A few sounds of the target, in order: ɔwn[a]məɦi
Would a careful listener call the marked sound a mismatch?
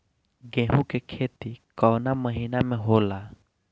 no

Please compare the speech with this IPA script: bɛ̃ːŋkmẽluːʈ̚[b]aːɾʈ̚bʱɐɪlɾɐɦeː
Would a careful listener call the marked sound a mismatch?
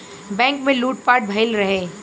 yes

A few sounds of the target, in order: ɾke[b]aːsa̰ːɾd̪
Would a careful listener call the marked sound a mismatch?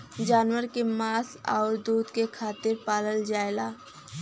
yes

